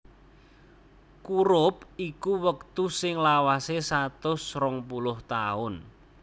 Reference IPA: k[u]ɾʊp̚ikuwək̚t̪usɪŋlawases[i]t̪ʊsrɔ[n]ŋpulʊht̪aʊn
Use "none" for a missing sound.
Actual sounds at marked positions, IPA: u, a, none

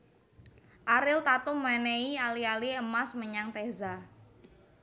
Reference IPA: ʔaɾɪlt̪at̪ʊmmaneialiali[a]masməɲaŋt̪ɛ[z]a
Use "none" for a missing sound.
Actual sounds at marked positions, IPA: ə, z

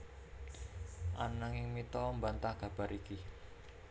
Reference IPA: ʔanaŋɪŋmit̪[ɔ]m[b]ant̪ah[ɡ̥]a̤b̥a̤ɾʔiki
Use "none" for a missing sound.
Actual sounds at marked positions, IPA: ɔ, b, ɡ̥

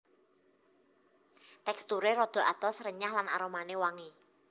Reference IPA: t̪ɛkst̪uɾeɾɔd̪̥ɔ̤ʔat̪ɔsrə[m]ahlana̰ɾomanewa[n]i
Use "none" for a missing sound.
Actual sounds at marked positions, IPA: ɲ, ŋ

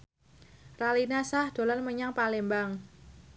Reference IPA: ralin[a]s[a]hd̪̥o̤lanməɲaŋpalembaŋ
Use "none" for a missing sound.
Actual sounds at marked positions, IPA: a, a

